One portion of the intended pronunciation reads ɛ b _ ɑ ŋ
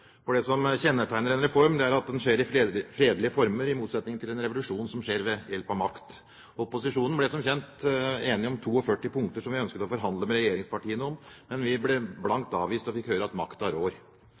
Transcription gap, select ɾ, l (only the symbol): l